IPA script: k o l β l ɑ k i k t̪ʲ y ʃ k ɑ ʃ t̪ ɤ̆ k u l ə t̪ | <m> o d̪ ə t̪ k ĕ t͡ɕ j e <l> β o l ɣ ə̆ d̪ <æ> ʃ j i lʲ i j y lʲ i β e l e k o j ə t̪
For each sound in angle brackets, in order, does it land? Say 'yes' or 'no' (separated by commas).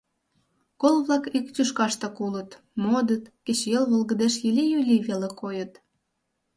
yes, yes, no